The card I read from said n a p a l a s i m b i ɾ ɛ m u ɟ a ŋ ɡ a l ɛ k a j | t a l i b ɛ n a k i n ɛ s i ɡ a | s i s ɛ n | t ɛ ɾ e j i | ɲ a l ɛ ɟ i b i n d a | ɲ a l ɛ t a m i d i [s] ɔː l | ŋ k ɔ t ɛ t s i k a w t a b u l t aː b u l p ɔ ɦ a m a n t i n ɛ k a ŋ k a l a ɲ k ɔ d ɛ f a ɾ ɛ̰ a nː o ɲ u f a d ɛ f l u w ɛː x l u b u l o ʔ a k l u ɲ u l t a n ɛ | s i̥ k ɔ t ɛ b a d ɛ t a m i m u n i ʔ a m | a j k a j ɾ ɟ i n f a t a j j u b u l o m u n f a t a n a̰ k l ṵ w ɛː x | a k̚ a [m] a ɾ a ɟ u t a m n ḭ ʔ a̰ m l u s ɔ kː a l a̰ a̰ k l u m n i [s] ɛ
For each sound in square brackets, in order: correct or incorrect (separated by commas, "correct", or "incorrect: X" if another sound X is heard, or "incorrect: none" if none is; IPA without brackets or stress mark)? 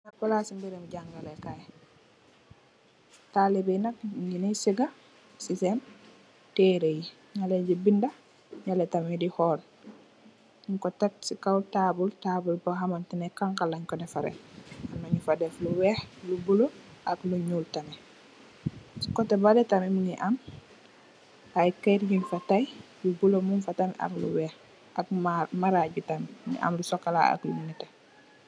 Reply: incorrect: h, correct, incorrect: t